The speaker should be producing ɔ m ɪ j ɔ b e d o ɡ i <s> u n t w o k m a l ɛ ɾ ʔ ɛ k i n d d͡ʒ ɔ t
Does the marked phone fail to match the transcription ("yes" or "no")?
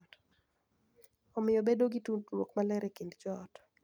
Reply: yes